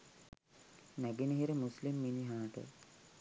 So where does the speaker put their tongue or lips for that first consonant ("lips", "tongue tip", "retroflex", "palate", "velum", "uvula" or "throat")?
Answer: tongue tip